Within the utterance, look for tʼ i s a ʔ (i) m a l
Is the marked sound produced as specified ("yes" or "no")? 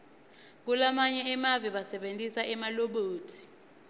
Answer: no